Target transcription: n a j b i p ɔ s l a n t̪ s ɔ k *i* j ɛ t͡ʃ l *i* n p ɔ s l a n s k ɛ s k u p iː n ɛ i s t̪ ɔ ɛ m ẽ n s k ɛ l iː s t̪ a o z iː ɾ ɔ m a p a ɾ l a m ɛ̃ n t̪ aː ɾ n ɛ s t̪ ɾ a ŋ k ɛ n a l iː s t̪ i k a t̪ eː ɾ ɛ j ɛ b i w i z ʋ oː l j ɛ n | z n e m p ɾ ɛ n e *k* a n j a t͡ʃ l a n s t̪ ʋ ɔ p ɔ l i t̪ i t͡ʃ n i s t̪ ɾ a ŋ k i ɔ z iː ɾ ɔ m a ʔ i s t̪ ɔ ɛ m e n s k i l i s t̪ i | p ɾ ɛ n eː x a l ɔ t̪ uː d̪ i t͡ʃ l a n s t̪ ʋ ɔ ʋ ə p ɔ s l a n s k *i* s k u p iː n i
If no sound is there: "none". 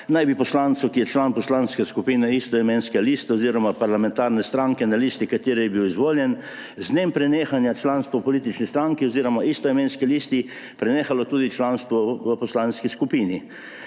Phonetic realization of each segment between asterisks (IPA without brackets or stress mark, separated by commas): i, a, x, i